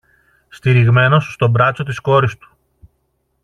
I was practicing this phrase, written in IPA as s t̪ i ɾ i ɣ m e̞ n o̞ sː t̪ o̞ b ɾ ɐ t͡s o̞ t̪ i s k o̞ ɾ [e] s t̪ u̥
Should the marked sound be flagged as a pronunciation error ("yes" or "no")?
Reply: yes